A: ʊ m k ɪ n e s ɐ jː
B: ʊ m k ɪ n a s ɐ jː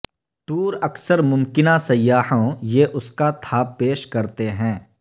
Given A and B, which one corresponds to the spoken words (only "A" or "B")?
B